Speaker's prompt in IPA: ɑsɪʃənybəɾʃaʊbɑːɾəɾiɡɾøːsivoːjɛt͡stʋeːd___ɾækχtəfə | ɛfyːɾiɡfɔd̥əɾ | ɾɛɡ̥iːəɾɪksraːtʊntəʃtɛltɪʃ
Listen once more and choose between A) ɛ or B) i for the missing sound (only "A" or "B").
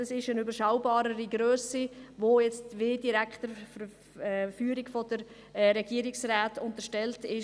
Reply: B